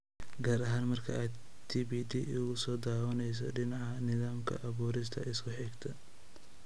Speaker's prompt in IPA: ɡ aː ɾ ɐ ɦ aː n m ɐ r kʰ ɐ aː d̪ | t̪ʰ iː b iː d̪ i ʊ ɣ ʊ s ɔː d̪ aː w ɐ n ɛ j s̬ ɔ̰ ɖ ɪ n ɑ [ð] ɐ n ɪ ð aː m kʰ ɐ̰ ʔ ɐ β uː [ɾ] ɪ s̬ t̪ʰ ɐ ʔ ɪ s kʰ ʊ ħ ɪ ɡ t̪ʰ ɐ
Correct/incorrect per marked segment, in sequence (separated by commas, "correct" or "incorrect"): incorrect, correct